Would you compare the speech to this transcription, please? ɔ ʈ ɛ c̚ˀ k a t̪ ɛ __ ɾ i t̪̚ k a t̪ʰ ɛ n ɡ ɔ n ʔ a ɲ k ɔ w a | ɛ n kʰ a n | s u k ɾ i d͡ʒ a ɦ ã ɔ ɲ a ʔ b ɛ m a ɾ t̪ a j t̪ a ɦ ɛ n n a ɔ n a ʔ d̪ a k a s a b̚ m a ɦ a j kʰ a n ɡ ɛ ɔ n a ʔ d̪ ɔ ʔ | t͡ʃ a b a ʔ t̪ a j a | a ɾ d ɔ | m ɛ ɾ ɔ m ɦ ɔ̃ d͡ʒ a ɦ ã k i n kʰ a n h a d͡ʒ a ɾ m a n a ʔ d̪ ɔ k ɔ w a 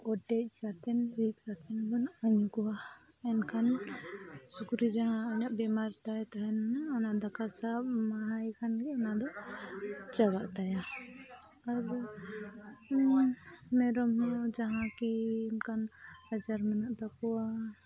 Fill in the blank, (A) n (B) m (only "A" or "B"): A